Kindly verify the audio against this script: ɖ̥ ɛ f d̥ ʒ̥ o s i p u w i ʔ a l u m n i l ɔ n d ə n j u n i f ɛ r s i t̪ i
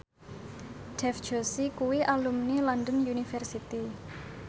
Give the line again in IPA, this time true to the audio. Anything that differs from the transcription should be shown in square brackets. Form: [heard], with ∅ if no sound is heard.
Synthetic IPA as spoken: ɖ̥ ɛ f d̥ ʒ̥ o s i [k] u w i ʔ a l u m n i l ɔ n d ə n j u n i f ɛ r s i t̪ i